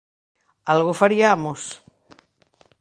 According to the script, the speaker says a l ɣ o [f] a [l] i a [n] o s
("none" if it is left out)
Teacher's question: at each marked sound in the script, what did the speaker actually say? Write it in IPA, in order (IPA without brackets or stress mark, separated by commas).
f, ɾ, m